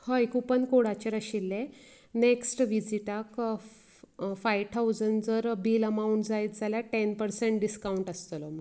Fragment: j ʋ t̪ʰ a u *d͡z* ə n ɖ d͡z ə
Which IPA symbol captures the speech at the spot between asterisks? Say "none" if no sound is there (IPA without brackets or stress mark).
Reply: d͡z